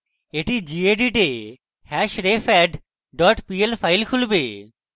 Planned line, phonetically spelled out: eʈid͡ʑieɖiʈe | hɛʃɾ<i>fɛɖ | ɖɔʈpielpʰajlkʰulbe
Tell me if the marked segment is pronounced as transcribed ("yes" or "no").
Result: no